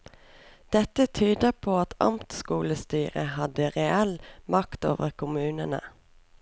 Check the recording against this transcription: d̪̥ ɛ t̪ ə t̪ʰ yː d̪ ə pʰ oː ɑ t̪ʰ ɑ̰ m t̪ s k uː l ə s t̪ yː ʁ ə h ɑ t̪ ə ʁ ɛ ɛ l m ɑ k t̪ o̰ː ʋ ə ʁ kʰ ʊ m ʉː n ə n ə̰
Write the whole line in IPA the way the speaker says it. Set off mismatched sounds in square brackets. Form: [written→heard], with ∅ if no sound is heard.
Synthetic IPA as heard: d̪̥ ɛ t̪ ə t̪ʰ yː d̪ ə pʰ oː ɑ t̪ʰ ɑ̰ m t̪ s k uː l ə s t̪ yː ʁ ə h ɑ [t̪→d̪] ə ʁ ɛ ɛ l m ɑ k t̪ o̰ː ʋ ə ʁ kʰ ʊ m ʉː n ə n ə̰

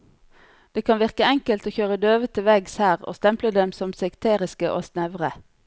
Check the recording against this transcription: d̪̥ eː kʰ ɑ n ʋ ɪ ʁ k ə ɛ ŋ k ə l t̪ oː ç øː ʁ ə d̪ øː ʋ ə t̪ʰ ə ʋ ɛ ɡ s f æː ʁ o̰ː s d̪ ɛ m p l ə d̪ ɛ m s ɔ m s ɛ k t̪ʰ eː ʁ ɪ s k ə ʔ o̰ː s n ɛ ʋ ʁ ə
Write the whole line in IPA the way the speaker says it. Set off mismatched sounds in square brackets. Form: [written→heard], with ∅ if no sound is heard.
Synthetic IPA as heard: d̪̥ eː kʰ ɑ n ʋ ɪ ʁ k ə ɛ ŋ k ə l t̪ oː ç øː ʁ ə d̪ øː ʋ ə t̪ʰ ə ʋ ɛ ɡ s [f→h] æː ʁ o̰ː s [d̪→t̪] ɛ m p l ə d̪ ɛ m s ɔ m s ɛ k t̪ʰ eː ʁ ɪ s k ə ʔ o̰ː s n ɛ ʋ ʁ ə

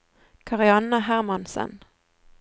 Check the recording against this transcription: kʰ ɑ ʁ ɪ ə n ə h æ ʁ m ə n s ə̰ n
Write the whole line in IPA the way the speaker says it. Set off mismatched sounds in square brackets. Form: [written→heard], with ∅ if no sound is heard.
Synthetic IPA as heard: kʰ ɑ ʁ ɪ [ə→ɑ] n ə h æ ʁ m [ə→ɑ] n s ə̰ n

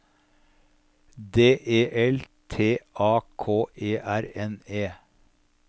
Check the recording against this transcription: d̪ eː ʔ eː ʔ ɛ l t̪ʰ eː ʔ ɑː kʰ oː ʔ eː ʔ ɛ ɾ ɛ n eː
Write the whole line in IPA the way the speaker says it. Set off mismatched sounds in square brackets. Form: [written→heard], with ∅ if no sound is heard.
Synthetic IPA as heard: d̪ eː ʔ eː ʔ ɛ l t̪ʰ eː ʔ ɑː kʰ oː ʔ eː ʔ [ɛ→æ] ɾ ɛ n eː

